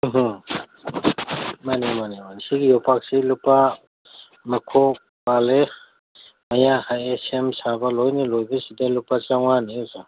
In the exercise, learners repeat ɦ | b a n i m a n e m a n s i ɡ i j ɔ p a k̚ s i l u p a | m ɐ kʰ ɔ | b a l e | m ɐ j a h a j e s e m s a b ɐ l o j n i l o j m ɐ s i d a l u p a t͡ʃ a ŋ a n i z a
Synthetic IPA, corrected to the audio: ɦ | m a n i m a n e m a n s i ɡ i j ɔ p a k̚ s i l u p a | m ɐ kʰ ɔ | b a l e | m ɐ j a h a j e s e m s a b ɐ l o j n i l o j b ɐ s i d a l u p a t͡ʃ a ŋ a n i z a